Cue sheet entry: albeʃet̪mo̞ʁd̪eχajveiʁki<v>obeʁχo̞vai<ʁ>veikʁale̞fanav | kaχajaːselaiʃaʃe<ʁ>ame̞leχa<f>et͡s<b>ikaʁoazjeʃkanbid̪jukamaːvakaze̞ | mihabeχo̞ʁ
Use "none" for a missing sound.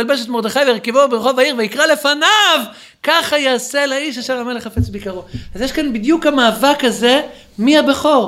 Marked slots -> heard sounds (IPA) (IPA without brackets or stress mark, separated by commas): v, ʁ, ʁ, f, b